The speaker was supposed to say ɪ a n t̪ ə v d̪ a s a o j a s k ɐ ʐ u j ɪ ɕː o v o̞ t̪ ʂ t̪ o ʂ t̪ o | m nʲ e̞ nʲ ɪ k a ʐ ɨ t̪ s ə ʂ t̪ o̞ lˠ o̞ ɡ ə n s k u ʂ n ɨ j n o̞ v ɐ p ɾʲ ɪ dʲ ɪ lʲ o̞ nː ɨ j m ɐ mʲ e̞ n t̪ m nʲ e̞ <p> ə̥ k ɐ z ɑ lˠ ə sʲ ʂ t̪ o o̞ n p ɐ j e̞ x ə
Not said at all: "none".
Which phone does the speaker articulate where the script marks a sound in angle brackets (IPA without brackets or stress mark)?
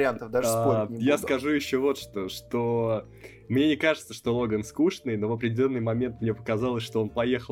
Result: p